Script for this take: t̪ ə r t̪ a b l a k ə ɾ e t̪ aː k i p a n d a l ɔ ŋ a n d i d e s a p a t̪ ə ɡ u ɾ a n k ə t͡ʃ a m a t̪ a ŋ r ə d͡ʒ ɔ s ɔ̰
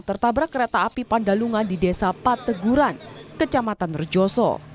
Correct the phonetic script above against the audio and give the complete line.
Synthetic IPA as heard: t̪ ə r t̪ a b ɾ a k ə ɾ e t̪ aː p i p a n d a l u ŋ a n d i d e s a p a t̪ ə ɡ u ɾ a n k ə t͡ʃ a m a t̪ a n r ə d͡ʒ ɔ s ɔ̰